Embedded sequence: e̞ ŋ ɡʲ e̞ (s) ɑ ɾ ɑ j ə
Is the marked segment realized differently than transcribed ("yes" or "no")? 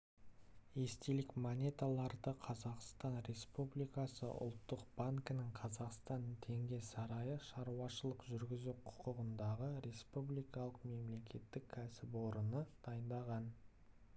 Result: no